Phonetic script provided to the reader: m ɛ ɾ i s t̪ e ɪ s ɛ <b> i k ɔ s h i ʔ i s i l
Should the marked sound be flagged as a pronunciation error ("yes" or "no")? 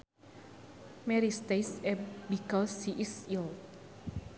no